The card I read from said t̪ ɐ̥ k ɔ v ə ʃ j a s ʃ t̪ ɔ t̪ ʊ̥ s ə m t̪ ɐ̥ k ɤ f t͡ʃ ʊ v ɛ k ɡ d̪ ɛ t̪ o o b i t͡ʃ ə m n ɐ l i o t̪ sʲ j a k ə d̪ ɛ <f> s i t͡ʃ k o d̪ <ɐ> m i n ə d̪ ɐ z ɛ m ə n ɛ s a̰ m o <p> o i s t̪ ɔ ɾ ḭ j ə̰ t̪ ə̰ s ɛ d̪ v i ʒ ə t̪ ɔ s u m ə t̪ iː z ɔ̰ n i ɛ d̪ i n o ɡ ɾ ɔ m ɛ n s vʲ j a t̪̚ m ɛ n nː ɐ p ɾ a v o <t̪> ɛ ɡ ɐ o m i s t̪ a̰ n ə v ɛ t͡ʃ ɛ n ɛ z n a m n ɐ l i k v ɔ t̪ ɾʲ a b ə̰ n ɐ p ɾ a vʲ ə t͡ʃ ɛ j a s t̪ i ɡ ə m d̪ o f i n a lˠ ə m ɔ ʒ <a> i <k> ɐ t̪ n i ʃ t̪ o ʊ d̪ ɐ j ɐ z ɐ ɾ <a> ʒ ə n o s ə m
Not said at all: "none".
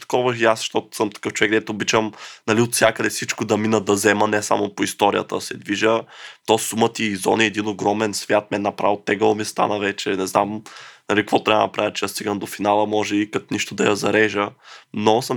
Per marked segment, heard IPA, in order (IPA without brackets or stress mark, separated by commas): f, ɐ, p, t̪, ɛ, k, ɛ